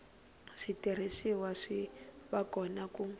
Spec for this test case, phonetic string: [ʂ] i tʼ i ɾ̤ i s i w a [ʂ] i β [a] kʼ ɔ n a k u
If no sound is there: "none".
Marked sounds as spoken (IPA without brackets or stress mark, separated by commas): ʂ, ʂ, a